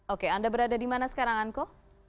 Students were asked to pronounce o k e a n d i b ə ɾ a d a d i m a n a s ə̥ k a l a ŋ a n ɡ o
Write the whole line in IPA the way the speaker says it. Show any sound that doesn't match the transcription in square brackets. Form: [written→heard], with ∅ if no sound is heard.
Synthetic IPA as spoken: o k e a n d [i→a] b ə ɾ a d a d i m a n a s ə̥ k a [l→ɾ] a ŋ a n [ɡ→k] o

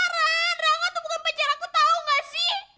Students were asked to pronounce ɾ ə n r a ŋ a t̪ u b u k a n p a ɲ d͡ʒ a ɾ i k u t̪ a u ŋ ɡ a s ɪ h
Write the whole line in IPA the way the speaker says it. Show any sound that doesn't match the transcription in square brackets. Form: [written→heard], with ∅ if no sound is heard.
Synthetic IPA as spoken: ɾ [ə→a] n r a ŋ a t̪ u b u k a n p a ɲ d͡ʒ a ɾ [i→a] k u t̪ a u ŋ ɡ a s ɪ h

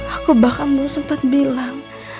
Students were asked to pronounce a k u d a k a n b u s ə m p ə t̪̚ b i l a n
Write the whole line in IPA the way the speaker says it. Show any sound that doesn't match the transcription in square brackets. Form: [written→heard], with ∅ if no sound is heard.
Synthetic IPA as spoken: a k u [d→b] a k a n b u s ə m p [ə→a] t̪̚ b i l a [n→ŋ]

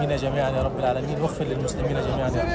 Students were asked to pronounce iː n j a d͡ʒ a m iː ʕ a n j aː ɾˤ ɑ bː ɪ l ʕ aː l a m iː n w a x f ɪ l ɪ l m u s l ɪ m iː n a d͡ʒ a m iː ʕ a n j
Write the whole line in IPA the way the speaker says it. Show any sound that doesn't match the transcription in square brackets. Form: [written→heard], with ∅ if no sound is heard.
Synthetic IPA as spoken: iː n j a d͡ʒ a m iː ʕ a n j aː ɾˤ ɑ bː ɪ l ʕ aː l a m iː n w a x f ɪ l ɪ l m [u→ʊ] s l ɪ m iː n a d͡ʒ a m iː ʕ a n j

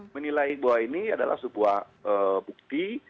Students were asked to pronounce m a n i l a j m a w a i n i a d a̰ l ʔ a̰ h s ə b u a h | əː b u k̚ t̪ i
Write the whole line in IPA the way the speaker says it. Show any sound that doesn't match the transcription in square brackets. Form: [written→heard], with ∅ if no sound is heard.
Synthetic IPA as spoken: m [a→ə] n i l a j [m→b] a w a i n i a d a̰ l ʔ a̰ h s ə b u a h | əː b u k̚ t̪ i

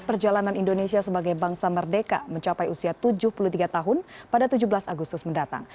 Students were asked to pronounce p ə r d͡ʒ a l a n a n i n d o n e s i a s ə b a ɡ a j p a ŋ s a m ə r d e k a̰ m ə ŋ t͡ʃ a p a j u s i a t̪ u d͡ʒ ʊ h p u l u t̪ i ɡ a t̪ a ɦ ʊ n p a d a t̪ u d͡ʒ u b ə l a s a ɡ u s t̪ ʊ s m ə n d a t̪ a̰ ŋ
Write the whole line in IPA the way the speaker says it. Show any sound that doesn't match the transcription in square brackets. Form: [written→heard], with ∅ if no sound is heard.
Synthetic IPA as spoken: p ə r d͡ʒ a l a n a n i n d o n e s i a s ə b a ɡ a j [p→b] a ŋ s a m ə r d e k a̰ m ə [ŋ→ɲ] t͡ʃ a p a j u s i a t̪ u d͡ʒ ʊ h p u l u t̪ i ɡ a t̪ a ɦ ʊ n p a d a t̪ u d͡ʒ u b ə l a s a ɡ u s t̪ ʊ s m ə n d a t̪ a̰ ŋ

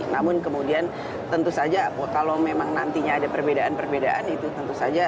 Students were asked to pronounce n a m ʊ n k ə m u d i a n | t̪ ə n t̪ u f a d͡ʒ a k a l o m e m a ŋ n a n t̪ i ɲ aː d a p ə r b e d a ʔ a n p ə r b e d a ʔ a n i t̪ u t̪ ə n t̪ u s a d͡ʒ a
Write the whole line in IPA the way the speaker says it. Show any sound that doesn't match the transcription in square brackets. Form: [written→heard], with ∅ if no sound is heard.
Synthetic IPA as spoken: n a m ʊ n k ə m u d i a n | t̪ ə n t̪ u [f→s] a d͡ʒ a k a l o m e m a ŋ n a n t̪ i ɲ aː d a p ə r b e d a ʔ a n p ə r b e d a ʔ a n i t̪ u t̪ ə n t̪ u s a d͡ʒ a

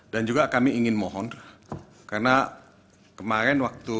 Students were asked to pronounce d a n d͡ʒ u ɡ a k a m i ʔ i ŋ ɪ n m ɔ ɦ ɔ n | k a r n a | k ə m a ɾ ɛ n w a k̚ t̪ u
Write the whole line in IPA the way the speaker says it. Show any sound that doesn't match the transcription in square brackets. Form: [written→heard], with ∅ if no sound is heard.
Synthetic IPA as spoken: d a n d͡ʒ u ɡ a k a m i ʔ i ŋ ɪ n m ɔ ɦ ɔ n | k a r n a | k ə m a ɾ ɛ n w a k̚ t̪ u

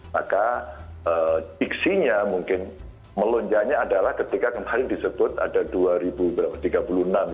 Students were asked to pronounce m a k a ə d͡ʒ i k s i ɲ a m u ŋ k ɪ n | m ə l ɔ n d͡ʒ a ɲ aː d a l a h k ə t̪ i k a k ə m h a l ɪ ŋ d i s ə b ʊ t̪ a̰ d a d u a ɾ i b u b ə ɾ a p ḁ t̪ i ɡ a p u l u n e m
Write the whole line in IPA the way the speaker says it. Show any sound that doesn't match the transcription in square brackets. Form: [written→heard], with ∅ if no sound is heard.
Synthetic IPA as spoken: m a k a ə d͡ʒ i k s i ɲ a m u ŋ k ɪ n | m ə l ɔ [n→ɲ] d͡ʒ a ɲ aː d a l a h k ə t̪ i k a k ə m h a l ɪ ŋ d i s ə b ʊ t̪ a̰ d a d u a ɾ i b u b ə ɾ a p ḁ t̪ i ɡ a p u l u n [e→a] m

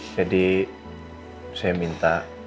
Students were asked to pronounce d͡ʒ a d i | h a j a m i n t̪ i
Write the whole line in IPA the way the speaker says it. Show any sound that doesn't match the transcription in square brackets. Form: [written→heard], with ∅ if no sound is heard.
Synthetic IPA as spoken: d͡ʒ a d i | [h→s] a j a m i n t̪ [i→a]

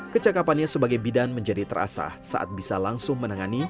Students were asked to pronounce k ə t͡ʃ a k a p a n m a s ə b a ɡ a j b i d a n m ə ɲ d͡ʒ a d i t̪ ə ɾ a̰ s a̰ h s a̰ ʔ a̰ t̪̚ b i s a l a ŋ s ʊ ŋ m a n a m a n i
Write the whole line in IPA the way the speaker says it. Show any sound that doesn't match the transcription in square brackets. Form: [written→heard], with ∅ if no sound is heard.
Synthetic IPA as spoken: k ə t͡ʃ a k a p a n [m→ɲ] a s ə b a ɡ a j b i d a n m ə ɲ d͡ʒ a d i t̪ ə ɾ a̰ s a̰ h s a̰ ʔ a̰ t̪̚ b i s a l a ŋ s ʊ ŋ m [a→ə] n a [m→ŋ] a n i

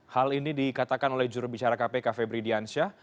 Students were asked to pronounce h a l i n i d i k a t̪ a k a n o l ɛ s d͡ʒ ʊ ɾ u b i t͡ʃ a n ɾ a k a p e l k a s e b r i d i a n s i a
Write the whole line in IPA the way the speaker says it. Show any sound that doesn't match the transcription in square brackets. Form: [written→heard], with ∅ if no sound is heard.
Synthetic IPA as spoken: h a l i n i d i k a t̪ a k a n o l ɛ [s→h] d͡ʒ [ʊ→u] ɾ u b i t͡ʃ a [n→∅] ɾ a k a p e [l→∅] k a [s→f] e b [r→ɾ] i d i a n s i a

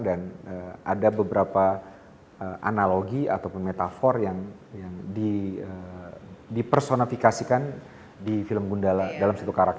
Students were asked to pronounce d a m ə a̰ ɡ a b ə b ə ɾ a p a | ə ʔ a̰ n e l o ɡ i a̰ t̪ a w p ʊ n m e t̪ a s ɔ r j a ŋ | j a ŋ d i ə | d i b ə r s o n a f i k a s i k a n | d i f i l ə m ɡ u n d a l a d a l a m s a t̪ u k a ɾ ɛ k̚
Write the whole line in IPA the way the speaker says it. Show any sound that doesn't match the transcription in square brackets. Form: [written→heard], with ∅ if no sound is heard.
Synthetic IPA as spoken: d a [m→n] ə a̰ [ɡ→d] a b ə b ə ɾ a p a | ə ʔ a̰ n [e→a] l o ɡ i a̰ t̪ a w p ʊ n m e t̪ a [s→f] ɔ r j a ŋ | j a ŋ d i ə | d i [b→p] ə r s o n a f i k a s i k a n | d i f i l ə m ɡ u n d a l a d a l a m s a t̪ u k a ɾ [ɛ→a] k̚

